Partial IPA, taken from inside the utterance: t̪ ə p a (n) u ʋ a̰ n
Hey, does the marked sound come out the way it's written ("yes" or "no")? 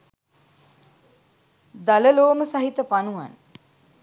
yes